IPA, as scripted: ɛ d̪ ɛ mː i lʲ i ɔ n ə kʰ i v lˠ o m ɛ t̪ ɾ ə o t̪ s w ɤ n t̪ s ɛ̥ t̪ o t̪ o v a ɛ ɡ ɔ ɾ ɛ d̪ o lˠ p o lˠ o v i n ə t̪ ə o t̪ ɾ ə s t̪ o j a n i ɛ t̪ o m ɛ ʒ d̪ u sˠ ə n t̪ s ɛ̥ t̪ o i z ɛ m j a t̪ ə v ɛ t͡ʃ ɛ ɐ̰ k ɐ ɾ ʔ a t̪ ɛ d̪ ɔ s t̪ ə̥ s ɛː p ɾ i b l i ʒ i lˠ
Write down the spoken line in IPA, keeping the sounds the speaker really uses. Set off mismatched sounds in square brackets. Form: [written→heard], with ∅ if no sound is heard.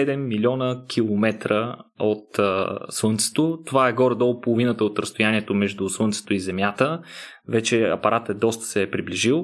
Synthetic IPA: ɛ d̪ ɛ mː i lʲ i ɔ n ə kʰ i [v→∅] lˠ o m ɛ t̪ ɾ ə o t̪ s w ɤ n t̪ s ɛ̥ t̪ o t̪ o v a ɛ ɡ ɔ ɾ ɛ d̪ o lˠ p o lˠ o v i n ə t̪ ə o t̪ ɾ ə s t̪ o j a n i ɛ t̪ o m ɛ ʒ d̪ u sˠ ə n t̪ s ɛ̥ t̪ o i z ɛ m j a t̪ ə v ɛ t͡ʃ ɛ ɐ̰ [k→p] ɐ ɾ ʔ a t̪ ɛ d̪ ɔ s t̪ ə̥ s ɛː p ɾ i b l i ʒ i lˠ